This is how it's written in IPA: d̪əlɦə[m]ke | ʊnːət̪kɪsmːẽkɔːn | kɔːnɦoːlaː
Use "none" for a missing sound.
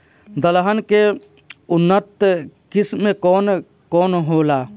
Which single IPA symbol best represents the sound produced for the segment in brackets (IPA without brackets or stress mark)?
n